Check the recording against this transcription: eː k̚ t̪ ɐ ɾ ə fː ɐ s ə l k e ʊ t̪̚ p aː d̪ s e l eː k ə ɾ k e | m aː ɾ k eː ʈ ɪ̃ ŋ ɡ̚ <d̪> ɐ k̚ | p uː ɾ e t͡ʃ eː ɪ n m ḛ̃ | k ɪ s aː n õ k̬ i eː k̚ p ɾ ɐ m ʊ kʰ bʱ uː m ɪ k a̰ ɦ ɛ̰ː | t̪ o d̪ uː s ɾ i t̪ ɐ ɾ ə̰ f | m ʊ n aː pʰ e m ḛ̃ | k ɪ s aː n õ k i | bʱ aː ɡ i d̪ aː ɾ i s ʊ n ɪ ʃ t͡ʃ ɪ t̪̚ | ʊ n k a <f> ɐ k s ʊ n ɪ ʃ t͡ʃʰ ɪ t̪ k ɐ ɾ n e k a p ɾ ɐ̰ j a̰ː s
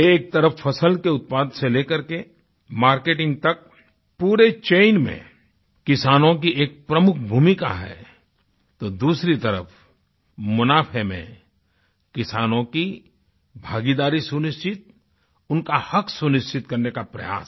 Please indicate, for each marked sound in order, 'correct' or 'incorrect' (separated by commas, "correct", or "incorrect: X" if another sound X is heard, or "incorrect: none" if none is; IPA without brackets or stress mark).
incorrect: t̪, incorrect: h